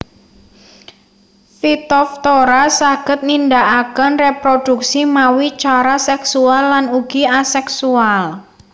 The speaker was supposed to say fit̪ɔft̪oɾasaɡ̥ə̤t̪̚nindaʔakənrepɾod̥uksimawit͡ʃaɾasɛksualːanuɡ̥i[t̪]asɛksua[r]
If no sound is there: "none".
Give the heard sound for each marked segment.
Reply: none, l

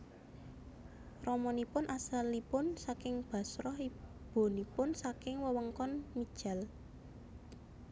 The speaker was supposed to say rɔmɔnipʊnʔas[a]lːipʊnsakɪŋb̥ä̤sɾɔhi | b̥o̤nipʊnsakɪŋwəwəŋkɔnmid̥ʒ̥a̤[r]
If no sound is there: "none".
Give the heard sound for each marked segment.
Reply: a, l

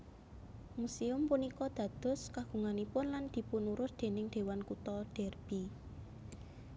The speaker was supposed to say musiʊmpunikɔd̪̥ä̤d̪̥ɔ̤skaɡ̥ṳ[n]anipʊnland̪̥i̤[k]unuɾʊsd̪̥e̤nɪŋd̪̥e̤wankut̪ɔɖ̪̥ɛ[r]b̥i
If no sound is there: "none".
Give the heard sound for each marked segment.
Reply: ŋ, p, r

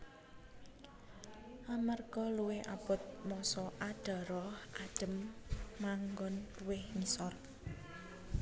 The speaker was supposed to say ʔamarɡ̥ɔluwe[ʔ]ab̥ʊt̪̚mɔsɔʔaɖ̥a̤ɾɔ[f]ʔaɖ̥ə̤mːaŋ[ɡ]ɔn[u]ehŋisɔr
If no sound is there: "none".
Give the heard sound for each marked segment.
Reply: ʔ, h, ɡ, w

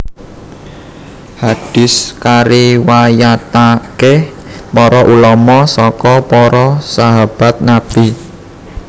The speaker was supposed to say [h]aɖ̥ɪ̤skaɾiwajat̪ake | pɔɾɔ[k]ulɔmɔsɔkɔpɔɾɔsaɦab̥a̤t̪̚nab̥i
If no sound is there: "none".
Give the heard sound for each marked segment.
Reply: h, ʔ

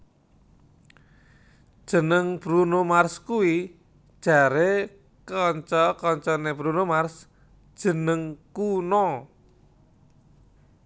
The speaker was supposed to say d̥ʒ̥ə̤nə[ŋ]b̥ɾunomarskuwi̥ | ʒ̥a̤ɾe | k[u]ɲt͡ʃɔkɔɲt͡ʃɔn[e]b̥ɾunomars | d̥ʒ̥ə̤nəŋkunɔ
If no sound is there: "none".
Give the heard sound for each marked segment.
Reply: ŋ, ɔ, e

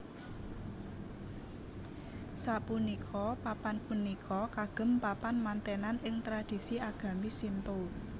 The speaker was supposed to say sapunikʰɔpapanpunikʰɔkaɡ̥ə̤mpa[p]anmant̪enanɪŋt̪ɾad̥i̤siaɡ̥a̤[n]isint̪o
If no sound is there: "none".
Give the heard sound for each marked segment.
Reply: p, m

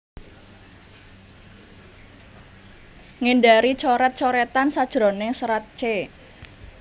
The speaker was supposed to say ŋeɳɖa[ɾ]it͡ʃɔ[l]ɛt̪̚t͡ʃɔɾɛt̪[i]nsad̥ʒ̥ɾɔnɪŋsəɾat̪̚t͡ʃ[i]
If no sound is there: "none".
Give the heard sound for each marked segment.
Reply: ɾ, ɾ, a, e

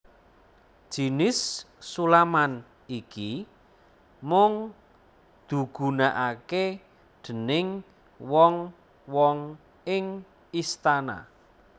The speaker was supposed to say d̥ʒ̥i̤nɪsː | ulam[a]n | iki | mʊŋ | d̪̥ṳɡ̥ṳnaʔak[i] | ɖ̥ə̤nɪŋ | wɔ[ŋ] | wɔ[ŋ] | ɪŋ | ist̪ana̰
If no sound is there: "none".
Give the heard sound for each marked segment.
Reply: a, e, ŋ, ŋ

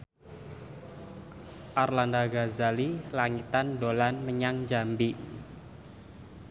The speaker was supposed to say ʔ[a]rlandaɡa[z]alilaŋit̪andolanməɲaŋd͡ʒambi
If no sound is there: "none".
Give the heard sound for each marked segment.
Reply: a, z

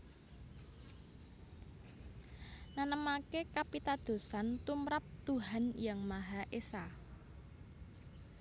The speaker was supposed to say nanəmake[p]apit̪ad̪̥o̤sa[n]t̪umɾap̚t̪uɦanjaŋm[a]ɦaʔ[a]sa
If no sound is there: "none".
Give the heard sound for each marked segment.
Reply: k, n, a, e

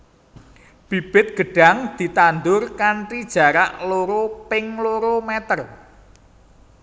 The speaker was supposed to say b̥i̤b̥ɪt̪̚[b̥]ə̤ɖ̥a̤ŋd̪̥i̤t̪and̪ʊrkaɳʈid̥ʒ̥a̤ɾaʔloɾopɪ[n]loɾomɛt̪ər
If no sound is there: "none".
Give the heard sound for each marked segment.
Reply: ɡ̥, ŋ

